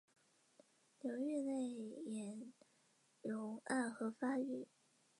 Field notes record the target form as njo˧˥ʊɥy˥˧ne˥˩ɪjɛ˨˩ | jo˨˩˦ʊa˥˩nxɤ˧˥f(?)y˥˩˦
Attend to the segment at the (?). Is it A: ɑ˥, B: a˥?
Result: B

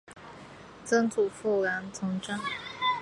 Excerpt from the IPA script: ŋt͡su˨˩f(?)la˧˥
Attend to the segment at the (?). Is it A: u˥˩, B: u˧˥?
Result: A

